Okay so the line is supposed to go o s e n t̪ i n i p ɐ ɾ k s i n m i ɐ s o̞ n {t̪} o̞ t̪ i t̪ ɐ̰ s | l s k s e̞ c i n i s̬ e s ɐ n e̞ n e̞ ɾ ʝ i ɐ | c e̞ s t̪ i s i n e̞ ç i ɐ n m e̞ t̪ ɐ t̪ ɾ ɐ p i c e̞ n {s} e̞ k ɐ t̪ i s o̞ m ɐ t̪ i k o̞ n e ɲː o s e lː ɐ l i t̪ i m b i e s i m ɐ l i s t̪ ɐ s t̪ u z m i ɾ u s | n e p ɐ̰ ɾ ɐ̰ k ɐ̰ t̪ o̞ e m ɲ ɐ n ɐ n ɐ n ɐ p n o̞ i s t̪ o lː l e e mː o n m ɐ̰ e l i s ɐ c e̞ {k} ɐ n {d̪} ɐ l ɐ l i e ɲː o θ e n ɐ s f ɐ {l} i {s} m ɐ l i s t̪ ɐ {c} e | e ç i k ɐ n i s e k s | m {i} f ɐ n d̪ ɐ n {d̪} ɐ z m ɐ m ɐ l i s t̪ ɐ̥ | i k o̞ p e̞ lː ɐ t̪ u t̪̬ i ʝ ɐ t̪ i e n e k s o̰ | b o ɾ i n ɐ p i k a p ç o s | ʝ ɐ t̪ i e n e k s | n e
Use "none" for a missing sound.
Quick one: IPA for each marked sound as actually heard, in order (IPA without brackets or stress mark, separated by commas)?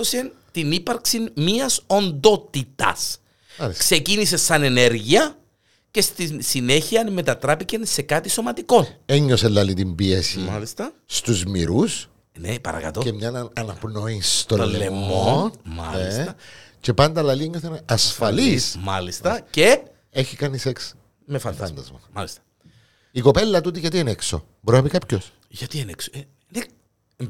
d̪, s, p, d̪, l, s, c, e, d̪